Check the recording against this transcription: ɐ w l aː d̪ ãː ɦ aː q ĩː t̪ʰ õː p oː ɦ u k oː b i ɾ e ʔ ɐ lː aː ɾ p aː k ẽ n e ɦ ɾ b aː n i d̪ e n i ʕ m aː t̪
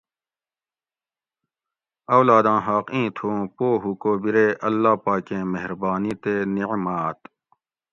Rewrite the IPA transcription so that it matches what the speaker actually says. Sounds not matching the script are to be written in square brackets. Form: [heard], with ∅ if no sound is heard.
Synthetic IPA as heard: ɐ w l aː d̪ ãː ɦ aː q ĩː t̪ʰ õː p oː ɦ u k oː b i ɾ e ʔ ɐ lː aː [∅] p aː k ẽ [m] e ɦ ɾ b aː n i [t̪] e n i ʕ m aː t̪